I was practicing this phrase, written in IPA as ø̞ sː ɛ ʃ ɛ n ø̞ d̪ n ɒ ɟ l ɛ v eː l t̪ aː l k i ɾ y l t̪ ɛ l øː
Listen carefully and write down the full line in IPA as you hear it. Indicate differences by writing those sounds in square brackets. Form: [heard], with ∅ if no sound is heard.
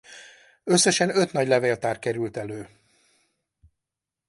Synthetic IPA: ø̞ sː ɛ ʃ ɛ n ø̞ [t̪] n ɒ ɟ l ɛ v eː l t̪ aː [r] k [ɛ] ɾ y l t̪ ɛ l øː